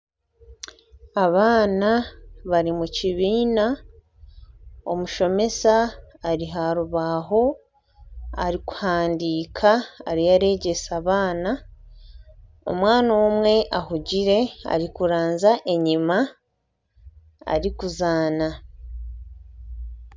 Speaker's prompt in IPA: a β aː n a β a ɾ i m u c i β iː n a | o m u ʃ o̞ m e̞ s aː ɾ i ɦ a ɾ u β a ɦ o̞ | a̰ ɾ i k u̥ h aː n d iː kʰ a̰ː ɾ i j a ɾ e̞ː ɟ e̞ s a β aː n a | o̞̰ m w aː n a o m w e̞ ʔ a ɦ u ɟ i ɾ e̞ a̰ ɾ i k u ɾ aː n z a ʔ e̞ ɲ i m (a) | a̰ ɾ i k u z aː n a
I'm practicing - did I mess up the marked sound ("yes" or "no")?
no